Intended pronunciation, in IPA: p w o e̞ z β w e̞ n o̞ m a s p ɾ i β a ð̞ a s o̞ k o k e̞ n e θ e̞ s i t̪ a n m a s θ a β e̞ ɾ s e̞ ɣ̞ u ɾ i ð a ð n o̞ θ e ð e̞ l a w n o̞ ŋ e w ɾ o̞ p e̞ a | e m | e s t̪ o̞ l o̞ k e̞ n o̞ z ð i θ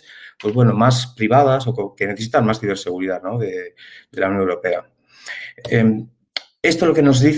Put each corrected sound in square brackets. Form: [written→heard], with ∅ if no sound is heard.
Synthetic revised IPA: p w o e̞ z β w e̞ n o̞ m a s p ɾ i β a ð̞ a s o̞ k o k e̞ n e θ e̞ s i t̪ a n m a s θ [a→i] β e̞ ɾ s e̞ ɣ̞ u ɾ i ð a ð n o̞ [θ→ð] e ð e̞ l a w n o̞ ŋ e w ɾ o̞ p e̞ a | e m | e s t̪ o̞ l o̞ k e̞ n o̞ z ð i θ